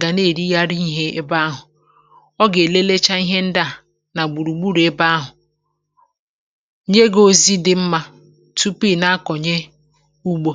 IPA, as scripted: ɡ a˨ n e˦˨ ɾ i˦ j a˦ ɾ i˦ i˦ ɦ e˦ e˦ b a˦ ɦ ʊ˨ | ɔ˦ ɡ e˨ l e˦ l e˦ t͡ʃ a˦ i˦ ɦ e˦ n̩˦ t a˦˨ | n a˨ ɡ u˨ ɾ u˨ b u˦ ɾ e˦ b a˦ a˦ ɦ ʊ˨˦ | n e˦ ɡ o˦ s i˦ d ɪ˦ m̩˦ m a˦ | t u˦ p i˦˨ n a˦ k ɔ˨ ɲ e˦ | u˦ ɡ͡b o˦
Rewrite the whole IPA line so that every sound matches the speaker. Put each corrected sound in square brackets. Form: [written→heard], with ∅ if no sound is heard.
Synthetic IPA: ɡ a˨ n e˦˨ ɾ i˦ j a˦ ɾ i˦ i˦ ɦ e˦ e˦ b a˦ ɦ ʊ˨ | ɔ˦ ɡ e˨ l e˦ l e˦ t͡ʃ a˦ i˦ ɦ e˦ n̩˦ [t→d] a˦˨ | n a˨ [ɡ→ɡ͡b] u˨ ɾ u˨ [b→ɡ͡b] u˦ ɾ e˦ b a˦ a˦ ɦ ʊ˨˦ | [n→ɲ] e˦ ɡ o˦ [s→z] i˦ d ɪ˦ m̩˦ m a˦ | t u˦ p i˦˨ n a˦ k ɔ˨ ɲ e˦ | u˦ ɡ͡b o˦